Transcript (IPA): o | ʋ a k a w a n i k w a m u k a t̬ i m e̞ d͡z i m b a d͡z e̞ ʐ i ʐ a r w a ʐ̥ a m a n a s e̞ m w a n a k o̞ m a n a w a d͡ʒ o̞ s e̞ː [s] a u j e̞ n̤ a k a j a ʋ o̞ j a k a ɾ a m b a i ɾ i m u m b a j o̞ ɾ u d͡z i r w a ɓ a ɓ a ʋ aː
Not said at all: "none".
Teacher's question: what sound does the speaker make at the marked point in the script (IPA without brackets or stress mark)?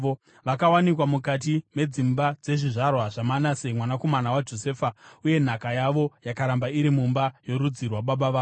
f